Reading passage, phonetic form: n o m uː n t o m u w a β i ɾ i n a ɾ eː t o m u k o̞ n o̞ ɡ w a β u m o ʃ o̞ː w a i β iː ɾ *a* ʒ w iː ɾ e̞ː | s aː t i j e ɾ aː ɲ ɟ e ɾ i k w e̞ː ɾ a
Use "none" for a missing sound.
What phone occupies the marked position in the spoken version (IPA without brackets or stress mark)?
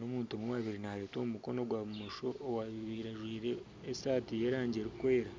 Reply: a